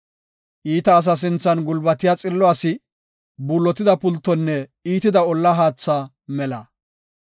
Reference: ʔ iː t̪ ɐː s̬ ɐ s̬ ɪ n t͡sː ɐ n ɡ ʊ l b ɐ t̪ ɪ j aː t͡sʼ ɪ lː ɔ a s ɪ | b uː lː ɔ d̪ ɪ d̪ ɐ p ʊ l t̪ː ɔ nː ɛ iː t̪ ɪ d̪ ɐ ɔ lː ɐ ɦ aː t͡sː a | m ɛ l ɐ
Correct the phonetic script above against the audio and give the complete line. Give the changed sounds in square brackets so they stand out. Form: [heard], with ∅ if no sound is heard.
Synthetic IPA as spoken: ʔ iː t̪ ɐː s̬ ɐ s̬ ɪ n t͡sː ɐ n ɡ ʊ l b ɐ t̪ ɪ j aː t͡sʼ ɪ lː ɔ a s ɪ | b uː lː ɔ [t̪] ɪ d̪ ɐ p ʊ l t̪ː ɔ nː ɛ iː t̪ ɪ d̪ ɐ ɔ lː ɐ ɦ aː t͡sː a | m ɛ l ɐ